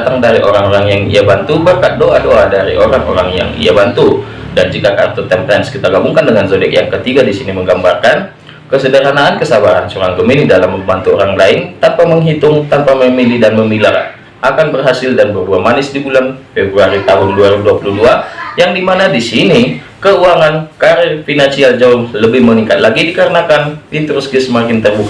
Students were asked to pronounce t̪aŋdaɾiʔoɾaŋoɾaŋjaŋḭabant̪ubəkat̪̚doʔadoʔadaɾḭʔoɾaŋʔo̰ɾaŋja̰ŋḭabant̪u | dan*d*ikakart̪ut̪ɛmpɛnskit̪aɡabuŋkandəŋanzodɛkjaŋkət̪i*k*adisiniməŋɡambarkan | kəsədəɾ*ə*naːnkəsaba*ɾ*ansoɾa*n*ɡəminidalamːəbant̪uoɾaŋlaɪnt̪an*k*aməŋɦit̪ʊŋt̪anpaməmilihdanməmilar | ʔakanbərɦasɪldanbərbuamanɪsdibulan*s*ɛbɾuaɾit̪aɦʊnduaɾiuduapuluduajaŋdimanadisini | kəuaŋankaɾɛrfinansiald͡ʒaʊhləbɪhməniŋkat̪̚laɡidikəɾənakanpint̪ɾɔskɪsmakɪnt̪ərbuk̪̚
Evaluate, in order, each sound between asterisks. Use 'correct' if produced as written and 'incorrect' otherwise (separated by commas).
incorrect, incorrect, incorrect, correct, incorrect, incorrect, incorrect